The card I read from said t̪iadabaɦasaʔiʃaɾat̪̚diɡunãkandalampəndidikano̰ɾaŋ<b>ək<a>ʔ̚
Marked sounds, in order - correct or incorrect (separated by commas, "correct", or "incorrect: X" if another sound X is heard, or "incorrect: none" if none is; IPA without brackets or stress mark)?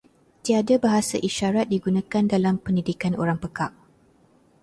incorrect: p, correct